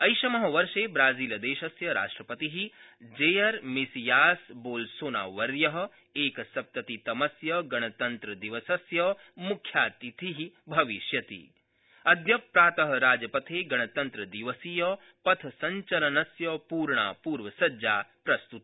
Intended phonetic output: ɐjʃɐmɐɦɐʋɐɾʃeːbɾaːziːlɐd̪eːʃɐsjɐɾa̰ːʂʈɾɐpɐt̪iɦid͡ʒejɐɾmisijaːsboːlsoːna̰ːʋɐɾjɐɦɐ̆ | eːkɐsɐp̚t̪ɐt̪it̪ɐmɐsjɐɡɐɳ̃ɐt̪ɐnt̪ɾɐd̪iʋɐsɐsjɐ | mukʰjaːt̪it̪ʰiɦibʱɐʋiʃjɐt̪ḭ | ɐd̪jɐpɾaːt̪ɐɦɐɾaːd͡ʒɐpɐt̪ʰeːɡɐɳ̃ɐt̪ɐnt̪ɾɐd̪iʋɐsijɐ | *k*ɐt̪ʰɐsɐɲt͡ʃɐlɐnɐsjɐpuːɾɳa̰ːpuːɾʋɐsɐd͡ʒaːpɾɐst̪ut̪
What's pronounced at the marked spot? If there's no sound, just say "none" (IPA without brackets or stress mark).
p